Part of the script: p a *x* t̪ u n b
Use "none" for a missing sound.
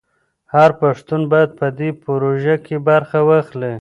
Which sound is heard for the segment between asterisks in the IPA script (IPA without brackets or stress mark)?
ʂ